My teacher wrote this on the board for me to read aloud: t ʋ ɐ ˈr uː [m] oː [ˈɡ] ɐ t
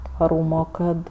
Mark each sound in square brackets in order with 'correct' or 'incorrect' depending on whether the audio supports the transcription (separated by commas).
correct, incorrect